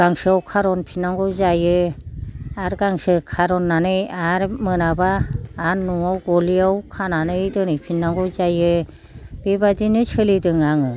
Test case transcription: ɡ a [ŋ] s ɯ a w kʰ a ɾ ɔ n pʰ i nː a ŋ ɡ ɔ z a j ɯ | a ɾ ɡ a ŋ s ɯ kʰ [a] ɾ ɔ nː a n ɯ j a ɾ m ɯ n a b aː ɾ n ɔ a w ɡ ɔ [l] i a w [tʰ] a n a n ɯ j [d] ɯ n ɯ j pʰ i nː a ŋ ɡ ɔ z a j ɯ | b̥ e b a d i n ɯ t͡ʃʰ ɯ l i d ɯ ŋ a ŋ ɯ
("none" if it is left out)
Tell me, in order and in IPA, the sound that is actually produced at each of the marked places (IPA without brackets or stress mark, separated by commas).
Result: ŋ, a, l, kʰ, d